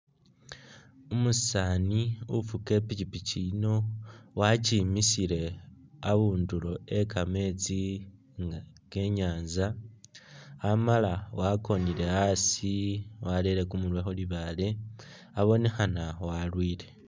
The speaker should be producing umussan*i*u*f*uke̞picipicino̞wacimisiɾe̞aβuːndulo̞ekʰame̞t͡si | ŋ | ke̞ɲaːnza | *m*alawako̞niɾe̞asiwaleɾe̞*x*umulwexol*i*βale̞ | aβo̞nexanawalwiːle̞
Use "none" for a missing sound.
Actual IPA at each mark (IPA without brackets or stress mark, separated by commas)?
i, f, m, k, i